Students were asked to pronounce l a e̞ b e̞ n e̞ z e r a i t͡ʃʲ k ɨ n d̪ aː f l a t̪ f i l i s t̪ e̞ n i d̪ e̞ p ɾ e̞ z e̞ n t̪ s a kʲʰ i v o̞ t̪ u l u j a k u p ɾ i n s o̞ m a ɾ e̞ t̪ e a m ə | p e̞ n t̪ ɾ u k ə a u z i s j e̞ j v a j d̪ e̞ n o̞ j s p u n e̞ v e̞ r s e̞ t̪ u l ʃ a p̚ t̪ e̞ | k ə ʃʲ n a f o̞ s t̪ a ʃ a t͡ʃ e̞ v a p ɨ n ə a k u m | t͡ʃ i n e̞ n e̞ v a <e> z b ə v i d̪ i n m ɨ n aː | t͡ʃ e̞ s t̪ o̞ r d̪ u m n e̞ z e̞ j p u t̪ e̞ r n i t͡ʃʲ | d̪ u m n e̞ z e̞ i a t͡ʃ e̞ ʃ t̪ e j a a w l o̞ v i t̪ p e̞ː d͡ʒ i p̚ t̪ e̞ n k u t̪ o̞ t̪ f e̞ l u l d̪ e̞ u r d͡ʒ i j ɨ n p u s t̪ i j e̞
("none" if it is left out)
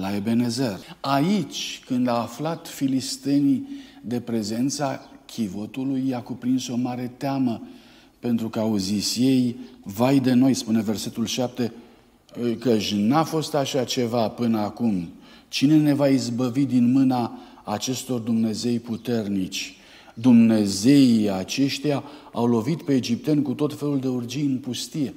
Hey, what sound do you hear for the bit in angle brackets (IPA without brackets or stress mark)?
i